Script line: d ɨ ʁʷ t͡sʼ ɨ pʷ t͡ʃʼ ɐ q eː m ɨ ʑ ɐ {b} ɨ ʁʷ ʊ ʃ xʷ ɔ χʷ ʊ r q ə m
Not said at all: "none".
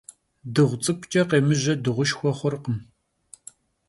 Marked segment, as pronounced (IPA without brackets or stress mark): d